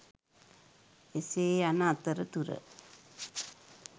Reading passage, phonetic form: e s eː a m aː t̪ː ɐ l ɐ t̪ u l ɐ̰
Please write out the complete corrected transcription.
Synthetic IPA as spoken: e s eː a n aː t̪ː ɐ ɾ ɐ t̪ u ɾ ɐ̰